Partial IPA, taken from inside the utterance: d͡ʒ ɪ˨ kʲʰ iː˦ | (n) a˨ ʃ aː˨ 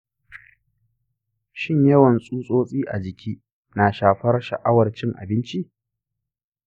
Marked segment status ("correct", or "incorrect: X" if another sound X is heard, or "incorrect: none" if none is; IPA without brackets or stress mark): correct